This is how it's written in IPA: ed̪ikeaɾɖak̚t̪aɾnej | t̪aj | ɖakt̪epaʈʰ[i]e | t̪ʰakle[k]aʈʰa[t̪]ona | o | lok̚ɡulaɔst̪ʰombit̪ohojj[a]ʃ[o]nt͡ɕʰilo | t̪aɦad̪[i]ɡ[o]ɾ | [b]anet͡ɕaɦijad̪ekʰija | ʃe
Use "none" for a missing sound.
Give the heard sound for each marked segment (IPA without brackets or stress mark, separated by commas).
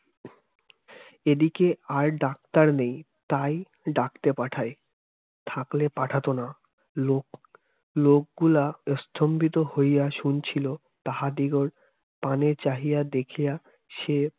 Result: a, p, t̪, a, u, i, o, p